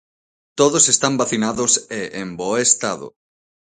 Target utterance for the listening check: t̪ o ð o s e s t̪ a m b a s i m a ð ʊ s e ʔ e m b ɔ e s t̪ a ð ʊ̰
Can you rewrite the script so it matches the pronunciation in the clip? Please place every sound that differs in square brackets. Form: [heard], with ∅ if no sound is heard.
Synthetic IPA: t̪ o ð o s e s t̪ a m b a [θ] i [n] a ð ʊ s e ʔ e m b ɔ e s t̪ a ð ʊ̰